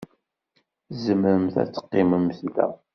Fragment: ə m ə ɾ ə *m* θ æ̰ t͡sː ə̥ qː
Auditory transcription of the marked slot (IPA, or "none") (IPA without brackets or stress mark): m